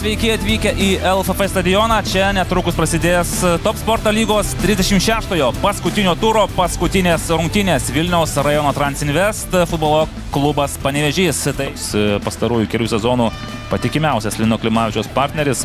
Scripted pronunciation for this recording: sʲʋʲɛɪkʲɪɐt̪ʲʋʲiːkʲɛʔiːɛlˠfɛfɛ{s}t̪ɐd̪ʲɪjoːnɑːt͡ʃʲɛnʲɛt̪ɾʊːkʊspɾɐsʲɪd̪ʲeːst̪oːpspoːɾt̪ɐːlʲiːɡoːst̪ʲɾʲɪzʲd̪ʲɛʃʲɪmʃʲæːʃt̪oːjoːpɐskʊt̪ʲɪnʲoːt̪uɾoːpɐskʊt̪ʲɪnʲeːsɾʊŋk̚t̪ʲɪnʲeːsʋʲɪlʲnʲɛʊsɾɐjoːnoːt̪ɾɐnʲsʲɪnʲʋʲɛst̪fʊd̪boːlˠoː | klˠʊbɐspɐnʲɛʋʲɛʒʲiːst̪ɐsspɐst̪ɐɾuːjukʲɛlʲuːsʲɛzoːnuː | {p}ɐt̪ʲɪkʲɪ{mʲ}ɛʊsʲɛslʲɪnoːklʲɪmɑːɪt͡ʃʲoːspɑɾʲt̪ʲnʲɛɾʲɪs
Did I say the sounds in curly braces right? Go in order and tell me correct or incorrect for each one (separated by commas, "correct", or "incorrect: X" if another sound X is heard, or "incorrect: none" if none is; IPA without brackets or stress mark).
correct, correct, correct